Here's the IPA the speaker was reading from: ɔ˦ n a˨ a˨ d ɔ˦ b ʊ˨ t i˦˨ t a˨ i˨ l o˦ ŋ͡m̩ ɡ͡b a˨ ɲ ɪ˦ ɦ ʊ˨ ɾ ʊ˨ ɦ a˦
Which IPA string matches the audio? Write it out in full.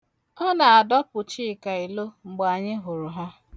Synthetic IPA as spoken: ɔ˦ n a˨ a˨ d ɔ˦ p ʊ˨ t͡ʃ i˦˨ k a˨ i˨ l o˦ ŋ͡m̩ ɡ͡b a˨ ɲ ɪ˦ ɦ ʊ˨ ɾ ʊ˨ ɦ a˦